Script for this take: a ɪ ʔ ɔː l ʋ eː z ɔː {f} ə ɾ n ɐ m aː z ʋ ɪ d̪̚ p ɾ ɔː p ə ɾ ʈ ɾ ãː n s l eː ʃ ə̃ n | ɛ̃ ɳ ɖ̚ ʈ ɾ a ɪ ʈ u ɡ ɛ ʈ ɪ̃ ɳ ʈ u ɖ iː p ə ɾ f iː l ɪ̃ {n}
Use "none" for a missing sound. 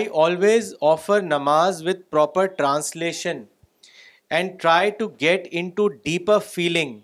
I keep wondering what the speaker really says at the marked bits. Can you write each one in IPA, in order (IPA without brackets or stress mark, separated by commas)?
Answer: f, ŋ